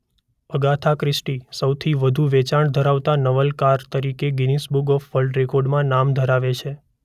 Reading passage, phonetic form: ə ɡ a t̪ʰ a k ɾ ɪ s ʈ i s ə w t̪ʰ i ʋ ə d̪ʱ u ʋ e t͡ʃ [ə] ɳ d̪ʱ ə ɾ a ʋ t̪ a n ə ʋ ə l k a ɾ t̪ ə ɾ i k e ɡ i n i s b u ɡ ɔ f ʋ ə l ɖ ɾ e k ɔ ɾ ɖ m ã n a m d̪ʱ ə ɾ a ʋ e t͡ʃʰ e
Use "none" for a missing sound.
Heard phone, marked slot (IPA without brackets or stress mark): a